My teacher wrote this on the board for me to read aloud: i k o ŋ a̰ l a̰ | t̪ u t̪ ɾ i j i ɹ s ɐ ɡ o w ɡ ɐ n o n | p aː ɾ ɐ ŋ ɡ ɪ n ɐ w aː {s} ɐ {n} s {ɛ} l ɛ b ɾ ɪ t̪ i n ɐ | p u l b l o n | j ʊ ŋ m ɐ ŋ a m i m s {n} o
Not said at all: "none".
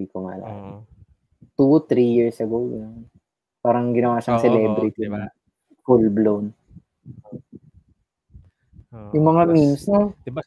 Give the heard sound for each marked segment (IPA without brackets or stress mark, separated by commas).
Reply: ʃ, ŋ, ɛ, n